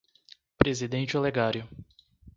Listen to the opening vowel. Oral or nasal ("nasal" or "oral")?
oral